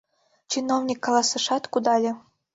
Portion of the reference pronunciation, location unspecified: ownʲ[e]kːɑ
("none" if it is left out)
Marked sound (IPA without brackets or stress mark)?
i